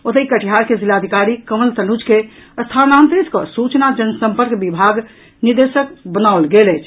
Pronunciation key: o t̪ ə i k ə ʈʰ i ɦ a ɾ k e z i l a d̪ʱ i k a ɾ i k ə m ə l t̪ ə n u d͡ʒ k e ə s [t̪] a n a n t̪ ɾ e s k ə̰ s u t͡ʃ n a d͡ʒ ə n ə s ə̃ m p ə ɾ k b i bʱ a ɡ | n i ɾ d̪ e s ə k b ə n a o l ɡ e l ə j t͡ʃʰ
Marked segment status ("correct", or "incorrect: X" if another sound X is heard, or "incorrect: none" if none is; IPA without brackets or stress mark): incorrect: t̪ʰ